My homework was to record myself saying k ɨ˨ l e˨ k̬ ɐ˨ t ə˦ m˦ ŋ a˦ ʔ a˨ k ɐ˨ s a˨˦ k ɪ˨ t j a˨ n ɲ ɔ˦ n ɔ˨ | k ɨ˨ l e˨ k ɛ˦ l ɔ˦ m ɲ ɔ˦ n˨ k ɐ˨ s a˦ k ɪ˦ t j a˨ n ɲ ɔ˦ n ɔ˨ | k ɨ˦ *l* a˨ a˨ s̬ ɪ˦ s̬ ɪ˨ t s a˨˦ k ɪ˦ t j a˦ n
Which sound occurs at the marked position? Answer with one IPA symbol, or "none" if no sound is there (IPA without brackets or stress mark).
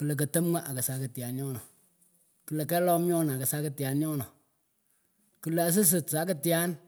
l